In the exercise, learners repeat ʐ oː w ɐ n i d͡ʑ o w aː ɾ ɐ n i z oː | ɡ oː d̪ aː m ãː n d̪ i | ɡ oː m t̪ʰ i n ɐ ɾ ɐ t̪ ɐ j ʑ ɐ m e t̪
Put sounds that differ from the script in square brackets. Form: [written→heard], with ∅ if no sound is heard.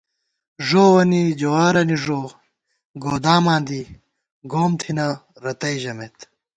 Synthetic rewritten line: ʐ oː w ɐ n i d͡ʑ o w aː ɾ ɐ n i [z→ʐ] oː | ɡ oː d̪ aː m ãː n d̪ i | ɡ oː m t̪ʰ i n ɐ ɾ ɐ t̪ ɐ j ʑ ɐ m e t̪